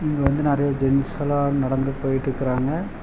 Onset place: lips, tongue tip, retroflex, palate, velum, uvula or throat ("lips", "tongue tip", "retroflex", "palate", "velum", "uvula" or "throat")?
velum